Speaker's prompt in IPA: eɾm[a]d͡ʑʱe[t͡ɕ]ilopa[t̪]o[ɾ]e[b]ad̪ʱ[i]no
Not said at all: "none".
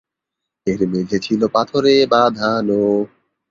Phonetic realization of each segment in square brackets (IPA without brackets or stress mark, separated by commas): e, t͡ɕʰ, t̪ʰ, ɾ, b, a